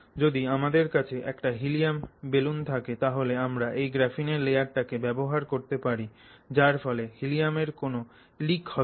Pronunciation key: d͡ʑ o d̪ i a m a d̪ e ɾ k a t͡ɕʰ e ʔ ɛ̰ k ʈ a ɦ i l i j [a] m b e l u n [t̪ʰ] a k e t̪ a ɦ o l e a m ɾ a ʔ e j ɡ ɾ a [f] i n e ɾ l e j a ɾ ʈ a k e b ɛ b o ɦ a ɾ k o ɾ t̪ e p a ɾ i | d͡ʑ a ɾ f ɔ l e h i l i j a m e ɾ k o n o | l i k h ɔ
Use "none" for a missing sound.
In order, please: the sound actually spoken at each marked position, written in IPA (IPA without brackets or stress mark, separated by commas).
a, t̪ʰ, f